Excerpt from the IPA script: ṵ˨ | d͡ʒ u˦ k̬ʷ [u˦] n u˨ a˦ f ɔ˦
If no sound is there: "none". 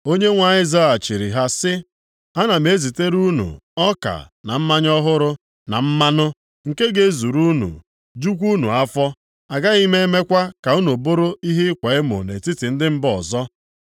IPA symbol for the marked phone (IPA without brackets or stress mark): u˦